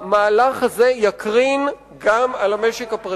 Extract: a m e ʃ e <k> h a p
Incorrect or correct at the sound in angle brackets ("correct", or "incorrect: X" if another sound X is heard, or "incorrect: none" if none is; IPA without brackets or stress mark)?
correct